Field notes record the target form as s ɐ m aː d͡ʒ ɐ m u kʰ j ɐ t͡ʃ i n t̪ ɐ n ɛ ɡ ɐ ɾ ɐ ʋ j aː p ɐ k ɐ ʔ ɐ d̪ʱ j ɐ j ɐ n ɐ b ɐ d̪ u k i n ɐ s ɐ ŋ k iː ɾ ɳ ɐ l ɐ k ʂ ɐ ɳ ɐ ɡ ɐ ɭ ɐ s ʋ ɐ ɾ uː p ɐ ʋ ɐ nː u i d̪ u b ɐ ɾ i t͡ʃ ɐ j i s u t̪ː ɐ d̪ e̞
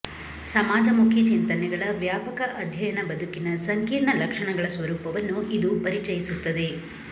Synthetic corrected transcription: s ɐ m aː d͡ʒ ɐ m u kʰ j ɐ t͡ʃ i n t̪ ɐ n ɛ ɡ ɐ ɭ ɐ ʋ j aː p ɐ k ɐ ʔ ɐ d̪ʱ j ɐ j ɐ n ɐ b ɐ d̪ u k i n ɐ s ɐ ŋ k iː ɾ ɳ ɐ l ɐ k ʂ ɐ ɳ ɐ ɡ ɐ ɭ ɐ s ʋ ɐ ɾ uː p ɐ ʋ ɐ nː u i d̪ u p ɐ ɾ i t͡ʃ ɐ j i s u t̪ː ɐ d̪ e̞